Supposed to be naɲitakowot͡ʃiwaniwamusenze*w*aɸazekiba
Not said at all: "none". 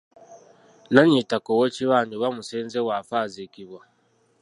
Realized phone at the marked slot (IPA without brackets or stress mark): w